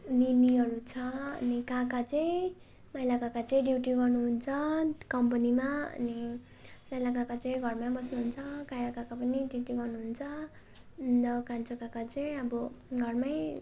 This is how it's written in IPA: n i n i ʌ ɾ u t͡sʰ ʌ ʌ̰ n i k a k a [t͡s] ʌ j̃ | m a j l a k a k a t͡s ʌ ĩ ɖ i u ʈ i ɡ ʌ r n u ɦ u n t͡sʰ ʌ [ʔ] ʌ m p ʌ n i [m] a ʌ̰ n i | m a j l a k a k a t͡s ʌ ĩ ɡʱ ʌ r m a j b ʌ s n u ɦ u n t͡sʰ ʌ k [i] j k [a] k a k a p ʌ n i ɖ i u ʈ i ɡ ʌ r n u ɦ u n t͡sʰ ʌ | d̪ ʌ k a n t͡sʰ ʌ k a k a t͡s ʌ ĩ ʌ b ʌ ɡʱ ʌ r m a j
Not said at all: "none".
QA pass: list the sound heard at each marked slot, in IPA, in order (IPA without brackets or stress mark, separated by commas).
t͡s, k, m, a, a